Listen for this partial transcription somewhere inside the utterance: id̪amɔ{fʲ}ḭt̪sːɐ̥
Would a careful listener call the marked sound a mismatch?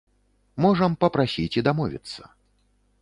yes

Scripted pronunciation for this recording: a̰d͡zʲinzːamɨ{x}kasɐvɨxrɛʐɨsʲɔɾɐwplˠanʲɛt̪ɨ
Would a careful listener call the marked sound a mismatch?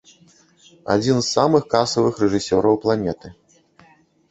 no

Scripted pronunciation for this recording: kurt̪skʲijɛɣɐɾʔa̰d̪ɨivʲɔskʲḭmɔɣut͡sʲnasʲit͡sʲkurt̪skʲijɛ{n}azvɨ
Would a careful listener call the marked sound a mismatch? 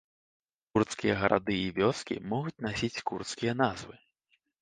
no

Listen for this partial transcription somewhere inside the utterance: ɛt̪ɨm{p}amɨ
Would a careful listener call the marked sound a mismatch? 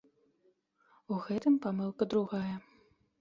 no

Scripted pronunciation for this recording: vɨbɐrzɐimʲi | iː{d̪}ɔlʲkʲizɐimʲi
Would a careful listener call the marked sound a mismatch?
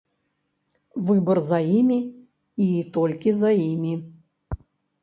yes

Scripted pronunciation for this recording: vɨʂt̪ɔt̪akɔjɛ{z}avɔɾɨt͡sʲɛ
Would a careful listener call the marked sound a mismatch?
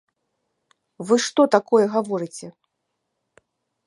yes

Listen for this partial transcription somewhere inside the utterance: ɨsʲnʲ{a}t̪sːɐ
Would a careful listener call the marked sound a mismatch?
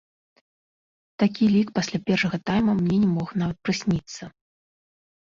yes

